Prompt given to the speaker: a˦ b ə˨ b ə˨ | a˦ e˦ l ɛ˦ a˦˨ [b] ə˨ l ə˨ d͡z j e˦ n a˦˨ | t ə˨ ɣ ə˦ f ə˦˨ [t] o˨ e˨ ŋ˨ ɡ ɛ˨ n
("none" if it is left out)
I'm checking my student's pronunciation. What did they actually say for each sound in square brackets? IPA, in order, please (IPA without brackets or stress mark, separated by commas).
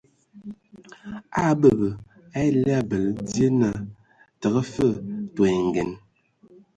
b, t